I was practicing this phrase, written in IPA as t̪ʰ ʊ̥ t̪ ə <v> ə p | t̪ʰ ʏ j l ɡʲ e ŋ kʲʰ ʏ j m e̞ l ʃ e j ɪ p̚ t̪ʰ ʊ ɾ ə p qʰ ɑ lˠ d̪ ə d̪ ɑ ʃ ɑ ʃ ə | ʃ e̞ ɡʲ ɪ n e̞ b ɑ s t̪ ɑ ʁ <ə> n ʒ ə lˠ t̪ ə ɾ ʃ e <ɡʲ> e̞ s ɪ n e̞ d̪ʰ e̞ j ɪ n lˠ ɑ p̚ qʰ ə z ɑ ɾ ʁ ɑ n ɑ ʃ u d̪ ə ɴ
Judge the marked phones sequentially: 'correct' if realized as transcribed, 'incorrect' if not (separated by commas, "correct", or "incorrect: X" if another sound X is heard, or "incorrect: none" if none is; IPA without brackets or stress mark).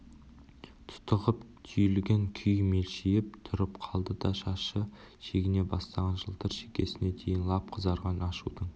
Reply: incorrect: ʁ, incorrect: ɑ, incorrect: kʲ